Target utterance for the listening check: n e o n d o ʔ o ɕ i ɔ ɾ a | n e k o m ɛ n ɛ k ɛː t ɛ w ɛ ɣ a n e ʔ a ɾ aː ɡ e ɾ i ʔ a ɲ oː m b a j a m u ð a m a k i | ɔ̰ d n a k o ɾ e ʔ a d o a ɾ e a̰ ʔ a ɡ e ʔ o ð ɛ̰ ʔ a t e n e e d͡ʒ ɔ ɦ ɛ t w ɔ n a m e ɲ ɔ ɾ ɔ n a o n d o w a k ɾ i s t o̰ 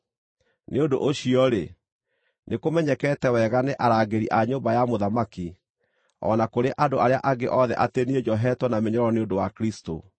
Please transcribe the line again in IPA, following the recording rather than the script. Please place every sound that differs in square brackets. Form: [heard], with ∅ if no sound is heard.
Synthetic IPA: n e o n d o ʔ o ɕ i ɔ ɾ [e] | n e k o m ɛ [ɲ] ɛ k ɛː t ɛ w ɛ ɣ a n e ʔ a ɾ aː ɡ e ɾ i ʔ a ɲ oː m b a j a m [o] ð a m a k i | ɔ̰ [∅] n a k o ɾ e ʔ a d o a ɾ e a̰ ʔ a ɡ e ʔ [ɔ] ð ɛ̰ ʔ a t e n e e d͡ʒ ɔ ɦ ɛ t w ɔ n a m e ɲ ɔ ɾ ɔ n [e] o n d o w a k ɾ i s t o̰

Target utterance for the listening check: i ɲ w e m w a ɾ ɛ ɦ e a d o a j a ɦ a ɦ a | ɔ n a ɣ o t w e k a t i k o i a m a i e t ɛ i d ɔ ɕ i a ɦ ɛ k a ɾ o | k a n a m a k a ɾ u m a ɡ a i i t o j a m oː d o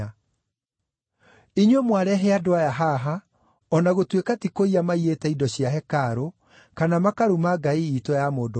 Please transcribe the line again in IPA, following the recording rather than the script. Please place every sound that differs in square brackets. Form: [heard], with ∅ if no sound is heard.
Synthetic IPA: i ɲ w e m w a ɾ ɛ ɦ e a d o a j a ɦ a ɦ a | ɔ n a ɣ o t w e k a t i k o i a m a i e t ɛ i d ɔ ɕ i a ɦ ɛ k a ɾ o | k a n a m a k a ɾ u m a ɡ a i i t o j a m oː d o

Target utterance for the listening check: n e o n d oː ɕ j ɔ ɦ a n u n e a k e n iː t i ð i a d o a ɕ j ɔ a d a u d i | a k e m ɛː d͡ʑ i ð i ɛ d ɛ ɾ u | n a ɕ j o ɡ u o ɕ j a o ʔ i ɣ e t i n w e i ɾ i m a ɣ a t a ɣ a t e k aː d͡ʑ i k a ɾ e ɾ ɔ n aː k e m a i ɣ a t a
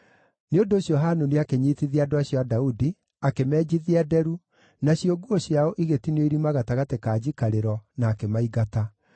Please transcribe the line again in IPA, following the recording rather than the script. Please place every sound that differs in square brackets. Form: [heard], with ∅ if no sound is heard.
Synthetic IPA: n e o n d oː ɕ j ɔ ɦ a n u n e a k e [ɲ] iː t i ð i a d o a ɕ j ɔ a d a u d i | a k e m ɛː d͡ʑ i ð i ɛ d ɛ ɾ u | n a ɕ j o ɡ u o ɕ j a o ʔ i ɣ e t i n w e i ɾ i m a ɣ a t a ɣ a t e k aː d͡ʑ i k a ɾ e ɾ ɔ n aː k e m a i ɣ a t a

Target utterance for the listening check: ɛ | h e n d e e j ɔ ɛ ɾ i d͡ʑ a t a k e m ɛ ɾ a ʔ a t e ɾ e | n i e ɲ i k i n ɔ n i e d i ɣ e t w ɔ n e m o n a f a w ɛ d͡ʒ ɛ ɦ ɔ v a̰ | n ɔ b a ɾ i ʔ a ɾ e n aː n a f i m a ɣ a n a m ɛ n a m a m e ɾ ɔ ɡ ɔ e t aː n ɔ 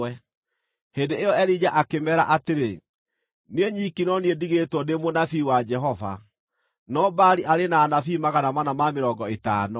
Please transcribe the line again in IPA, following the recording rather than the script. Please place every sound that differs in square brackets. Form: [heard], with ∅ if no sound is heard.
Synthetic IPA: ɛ | h e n d e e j ɔ ɛ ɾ i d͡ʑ a [ʔ] a k e m ɛ ɾ a ʔ a t e ɾ e | n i e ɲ i k i n ɔ n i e d i ɣ e t w ɔ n e m o n a f [i] w [a] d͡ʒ ɛ ɦ ɔ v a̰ | n ɔ b a ɾ i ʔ a ɾ e n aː n a f i m a ɣ a n a m [a] n a m a m e ɾ ɔ ɡ ɔ e t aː n ɔ

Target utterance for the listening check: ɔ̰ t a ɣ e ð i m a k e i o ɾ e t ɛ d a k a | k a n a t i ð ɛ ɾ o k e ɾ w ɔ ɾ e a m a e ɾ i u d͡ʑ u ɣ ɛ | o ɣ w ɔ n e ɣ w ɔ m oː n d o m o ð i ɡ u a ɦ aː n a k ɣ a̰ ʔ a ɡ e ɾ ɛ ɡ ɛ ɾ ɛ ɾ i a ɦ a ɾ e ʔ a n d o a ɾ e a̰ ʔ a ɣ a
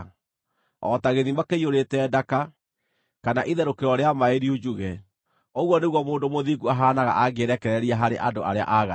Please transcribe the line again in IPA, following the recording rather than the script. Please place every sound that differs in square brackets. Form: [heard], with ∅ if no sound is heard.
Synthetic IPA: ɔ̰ t a ɣ e ð i m a k e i o ɾ e t ɛ d a k a | k a n a [ʔ] i ð ɛ ɾ o k e ɾ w ɔ ɾ e a m a e ɾ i u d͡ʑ u ɣ ɛ | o ɣ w ɔ n e ɣ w ɔ m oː n d o m o ð i ɡ u a ɦ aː n a [∅] ɣ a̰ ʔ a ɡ e ɾ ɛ [k] ɛ ɾ ɛ ɾ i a ɦ a ɾ e ʔ a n d o a ɾ e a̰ ʔ a ɣ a

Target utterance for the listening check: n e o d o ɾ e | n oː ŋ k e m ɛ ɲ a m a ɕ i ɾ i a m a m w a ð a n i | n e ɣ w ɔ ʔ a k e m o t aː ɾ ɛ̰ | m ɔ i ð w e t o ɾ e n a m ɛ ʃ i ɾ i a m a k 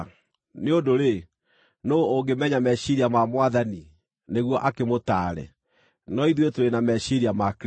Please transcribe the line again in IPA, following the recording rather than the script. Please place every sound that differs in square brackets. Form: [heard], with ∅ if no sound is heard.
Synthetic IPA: n e o d o ɾ e | n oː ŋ [ɡ] e m ɛ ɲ a m [ɛ] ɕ i ɾ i a m a m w a ð a n i | n e ɣ w ɔ ʔ a k e m o t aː ɾ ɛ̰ | [n] ɔ i ð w e t o ɾ e n a m ɛ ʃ i ɾ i a m a k

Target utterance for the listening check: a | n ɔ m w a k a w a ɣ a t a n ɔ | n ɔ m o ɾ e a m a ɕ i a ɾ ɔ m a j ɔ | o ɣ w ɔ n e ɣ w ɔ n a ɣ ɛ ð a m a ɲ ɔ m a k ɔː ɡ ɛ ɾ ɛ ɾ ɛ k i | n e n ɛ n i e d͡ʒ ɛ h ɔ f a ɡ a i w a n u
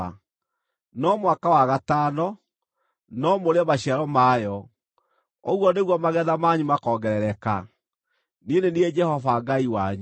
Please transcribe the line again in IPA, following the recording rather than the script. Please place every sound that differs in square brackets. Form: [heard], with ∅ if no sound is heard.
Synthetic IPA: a | n ɔ m w a k a w a ɣ a t a n ɔ | n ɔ m o ɾ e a m a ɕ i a ɾ ɔ m a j ɔ | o ɣ w ɔ n e ɣ w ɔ [m] a ɣ ɛ ð a m a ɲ [u] m a k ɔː ɡ ɛ ɾ ɛ ɾ ɛ k [a] | n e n [e] n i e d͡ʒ ɛ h ɔ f a ɡ a i w a [ɲ] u

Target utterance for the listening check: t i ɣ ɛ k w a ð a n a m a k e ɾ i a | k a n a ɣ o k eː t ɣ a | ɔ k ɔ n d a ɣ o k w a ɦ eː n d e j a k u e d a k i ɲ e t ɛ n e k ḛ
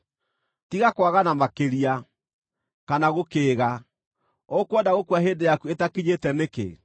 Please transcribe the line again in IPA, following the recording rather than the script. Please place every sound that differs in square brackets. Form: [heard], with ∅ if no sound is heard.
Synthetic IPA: t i ɣ [a] k w a [ɣ] a n a m a k e ɾ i a | k a n a ɣ o k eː [∅] ɣ a | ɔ k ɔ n d a ɣ o k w a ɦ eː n d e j a k u e [t] a k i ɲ e t ɛ n e k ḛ

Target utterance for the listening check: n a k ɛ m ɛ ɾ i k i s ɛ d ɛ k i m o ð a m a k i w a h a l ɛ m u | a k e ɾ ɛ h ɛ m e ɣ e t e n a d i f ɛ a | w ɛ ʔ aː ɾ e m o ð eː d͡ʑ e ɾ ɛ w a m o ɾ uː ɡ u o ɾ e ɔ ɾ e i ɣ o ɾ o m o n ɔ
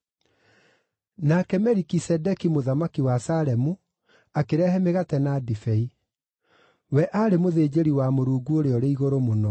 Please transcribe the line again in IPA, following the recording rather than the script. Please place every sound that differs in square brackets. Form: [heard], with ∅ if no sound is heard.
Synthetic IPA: n a k ɛ m ɛ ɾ i k i s ɛ d ɛ k i m o ð a m a k i w a [s] a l ɛ m u | a k e ɾ ɛ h ɛ m e ɣ [a] t [ɛ] n a d i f ɛ [i] | w ɛ ʔ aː ɾ e m o ð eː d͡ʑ e ɾ [i] w a m o ɾ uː ɡ u o ɾ e ɔ ɾ e i ɣ o ɾ o m o n ɔ

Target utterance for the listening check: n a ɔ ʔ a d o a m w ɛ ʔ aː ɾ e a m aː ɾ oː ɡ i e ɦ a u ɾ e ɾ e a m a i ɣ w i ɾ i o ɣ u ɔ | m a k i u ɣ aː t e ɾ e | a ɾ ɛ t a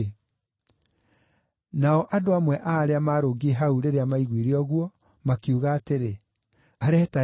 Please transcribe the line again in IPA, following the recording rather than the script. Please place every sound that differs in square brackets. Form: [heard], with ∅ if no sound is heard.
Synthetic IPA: n a ɔ ʔ a d o a m w ɛ ʔ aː ɾ e a m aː ɾ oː ɡ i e ɦ a u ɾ e ɾ e a m a i ɣ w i ɾ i [ɔ] ɣ [w] ɔ | m a k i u ɣ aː t e ɾ e | a ɾ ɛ t a

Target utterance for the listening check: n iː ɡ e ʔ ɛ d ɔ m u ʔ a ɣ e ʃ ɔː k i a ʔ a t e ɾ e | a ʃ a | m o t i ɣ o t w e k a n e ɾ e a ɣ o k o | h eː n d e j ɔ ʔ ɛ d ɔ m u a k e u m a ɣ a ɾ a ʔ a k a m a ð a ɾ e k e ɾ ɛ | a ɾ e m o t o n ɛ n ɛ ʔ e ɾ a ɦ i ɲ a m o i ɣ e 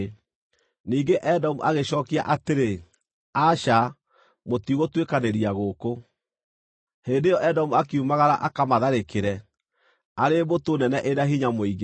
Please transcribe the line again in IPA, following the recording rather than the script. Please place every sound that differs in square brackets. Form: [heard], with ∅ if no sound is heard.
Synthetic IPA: n iː ɡ e ʔ ɛ d ɔ m u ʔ a ɣ e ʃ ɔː k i a ʔ a t e ɾ e | a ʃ a | m o t i ɣ o t w e k a n e ɾ [i] a ɣ o k o | h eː n d e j ɔ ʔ ɛ d ɔ m u a k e u m a ɣ a ɾ a ʔ a k a m a ð a ɾ e k e ɾ ɛ | a ɾ e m o t o n ɛ n ɛ ʔ e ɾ a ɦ i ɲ a m o i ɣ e

